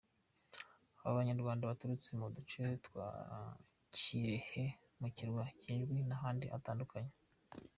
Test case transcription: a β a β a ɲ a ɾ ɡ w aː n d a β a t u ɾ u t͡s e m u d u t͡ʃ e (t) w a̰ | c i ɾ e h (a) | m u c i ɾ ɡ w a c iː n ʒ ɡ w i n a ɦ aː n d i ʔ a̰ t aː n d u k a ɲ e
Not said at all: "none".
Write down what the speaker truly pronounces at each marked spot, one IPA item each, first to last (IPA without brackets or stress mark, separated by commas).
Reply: t, e